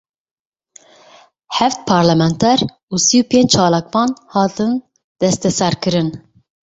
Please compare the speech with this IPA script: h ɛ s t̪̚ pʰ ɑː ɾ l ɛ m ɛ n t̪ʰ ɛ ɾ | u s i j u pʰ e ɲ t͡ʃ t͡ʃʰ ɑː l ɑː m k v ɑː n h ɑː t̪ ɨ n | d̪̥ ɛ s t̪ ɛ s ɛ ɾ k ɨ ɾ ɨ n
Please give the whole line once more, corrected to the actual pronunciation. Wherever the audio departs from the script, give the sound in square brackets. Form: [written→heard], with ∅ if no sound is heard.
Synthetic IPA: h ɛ [s→f] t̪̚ pʰ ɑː ɾ l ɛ m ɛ n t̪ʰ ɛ ɾ | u s i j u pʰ e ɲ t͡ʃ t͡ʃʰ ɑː l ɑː [m→∅] k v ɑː n h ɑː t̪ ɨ n | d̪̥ ɛ s t̪ ɛ s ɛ ɾ k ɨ ɾ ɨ n